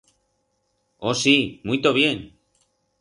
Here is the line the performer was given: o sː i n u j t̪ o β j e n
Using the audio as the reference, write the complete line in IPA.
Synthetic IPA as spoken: o s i m u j t̪ o β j e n